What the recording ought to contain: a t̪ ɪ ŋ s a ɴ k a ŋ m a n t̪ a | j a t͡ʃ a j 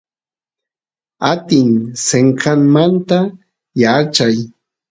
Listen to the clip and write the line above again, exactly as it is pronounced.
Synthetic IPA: a t̪ ɪ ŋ s e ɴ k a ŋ m a n t̪ a | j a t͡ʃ a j

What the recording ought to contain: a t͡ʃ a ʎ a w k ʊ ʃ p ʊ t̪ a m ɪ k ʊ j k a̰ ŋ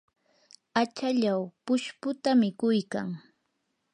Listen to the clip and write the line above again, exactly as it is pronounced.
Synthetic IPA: a t͡ʃ a ʎ a w p ʊ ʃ p ʊ t̪ a m ɪ k ʊ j k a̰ ŋ

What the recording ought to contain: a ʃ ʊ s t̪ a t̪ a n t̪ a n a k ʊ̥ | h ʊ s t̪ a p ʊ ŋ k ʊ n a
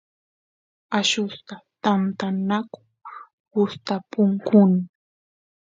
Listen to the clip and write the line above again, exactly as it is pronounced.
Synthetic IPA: a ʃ ʊ s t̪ a t̪ a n t̪ a n a k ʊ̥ | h ʊ s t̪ a p ʊ ŋ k ʊ n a

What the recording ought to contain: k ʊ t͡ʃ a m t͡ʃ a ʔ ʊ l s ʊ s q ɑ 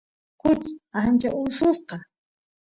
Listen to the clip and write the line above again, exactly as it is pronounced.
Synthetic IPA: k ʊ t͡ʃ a n t͡ʃ a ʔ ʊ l s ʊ s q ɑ

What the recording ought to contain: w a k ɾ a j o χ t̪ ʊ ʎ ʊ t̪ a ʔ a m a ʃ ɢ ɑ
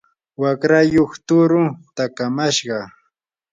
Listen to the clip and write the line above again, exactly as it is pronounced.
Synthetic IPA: w a k ɾ a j o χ t̪ ʊ ɾ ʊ t̪ a k a m a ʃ ɢ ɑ

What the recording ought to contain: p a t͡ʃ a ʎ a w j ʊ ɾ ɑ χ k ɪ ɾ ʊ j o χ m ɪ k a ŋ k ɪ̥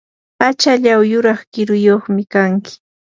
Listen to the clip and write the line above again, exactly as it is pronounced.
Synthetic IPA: p a t͡ʃ a ʎ a w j ʊ ɾ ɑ χ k ɪ ɾ ʊ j o χ m ɪ k a ŋ k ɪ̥

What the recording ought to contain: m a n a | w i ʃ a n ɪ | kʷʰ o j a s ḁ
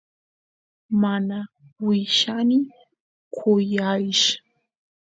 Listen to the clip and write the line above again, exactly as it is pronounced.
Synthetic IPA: m a n a | w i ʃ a n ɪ | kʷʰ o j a ʃ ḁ

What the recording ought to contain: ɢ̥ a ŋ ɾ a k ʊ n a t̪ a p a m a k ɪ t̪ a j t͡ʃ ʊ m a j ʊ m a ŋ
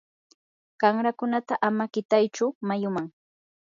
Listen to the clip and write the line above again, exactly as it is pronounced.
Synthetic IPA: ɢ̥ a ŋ ɾ a k ʊ n a t̪ a ʔ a m a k ɪ t̪ a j t͡ʃ ʊ m a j ʊ m a ŋ

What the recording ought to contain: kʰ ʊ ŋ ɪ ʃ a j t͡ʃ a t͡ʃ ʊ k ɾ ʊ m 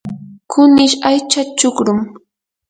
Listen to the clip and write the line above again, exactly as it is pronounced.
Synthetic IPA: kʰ ʊ n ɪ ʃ a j t͡ʃ a t͡ʃ ʊ k ɾ ʊ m

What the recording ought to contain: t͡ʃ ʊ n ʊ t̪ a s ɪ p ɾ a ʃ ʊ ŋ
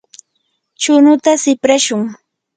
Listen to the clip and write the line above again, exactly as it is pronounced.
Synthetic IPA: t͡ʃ ʊ n ʊ t̪ a s ɪ p ɾ a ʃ ʊ ŋ

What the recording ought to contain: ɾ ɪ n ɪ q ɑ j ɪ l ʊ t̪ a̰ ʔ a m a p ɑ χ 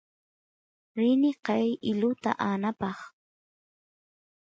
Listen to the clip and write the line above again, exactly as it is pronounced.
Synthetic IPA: ɾ ɪ n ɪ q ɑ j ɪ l ʊ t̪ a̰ ʔ a n a p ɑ χ

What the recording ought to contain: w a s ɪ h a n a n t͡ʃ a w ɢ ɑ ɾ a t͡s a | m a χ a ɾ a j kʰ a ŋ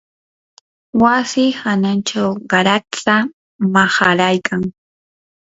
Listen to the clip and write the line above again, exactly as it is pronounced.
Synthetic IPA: w a s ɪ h a n a n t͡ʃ a w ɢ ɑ ɾ a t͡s a | m a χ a ɾ a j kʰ a ŋ

